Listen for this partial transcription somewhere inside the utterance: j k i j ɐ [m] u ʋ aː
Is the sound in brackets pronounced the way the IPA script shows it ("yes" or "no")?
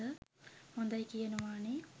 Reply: no